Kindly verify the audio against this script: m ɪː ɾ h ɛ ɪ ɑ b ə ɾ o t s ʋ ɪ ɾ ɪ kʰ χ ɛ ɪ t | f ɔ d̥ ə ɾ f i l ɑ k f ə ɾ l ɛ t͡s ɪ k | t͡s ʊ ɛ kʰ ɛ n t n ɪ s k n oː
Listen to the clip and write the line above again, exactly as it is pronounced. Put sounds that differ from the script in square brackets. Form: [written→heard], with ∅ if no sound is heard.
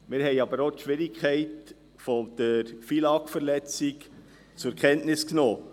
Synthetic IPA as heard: m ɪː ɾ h ɛ ɪ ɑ b ə ɾ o t [s→ʃ] ʋ ɪ ɾ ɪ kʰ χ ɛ ɪ t | f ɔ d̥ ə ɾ f i l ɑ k f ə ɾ l ɛ t͡s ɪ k | t͡s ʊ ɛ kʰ ɛ n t n ɪ s k n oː